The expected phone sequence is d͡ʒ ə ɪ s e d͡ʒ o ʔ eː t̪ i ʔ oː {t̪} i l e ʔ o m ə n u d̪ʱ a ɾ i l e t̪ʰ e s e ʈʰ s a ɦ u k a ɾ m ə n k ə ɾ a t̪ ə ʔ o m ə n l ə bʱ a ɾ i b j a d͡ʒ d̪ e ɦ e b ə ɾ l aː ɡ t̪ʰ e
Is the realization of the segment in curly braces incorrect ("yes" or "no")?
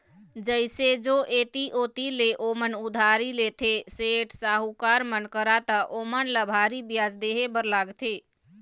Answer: no